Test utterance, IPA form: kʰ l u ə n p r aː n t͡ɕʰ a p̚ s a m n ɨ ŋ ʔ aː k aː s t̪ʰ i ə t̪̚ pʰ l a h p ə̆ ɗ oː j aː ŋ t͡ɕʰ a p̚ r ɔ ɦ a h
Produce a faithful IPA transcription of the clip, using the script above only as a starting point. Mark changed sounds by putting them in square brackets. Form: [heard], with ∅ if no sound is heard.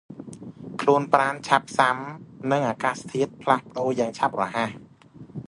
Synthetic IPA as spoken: kʰ l u ə n p r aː n t͡ɕʰ a p̚ s a m n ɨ ŋ ʔ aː k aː s t̪ʰ i ə t̪̚ pʰ l a h p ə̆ ɗ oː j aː ŋ t͡ɕʰ a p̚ r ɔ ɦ a h